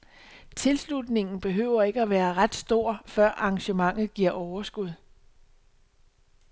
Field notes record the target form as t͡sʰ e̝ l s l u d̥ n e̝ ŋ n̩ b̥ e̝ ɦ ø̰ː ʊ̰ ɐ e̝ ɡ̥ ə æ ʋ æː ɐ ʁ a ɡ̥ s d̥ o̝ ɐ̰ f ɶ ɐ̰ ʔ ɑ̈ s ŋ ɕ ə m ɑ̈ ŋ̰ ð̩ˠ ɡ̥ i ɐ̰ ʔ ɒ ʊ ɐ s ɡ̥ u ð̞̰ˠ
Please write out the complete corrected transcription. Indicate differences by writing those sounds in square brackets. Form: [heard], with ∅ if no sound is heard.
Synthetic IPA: t͡sʰ e̝ l s l u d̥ n e̝ ŋ n̩ b̥ e̝ ɦ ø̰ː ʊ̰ ɐ e̝ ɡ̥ ə æ ʋ æː ɐ ʁ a [d̥] s d̥ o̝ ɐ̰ f ɶ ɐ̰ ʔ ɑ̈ [∅] ŋ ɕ ə m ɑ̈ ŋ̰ ð̩ˠ ɡ̥ i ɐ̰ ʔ ɒ ʊ ɐ s ɡ̥ u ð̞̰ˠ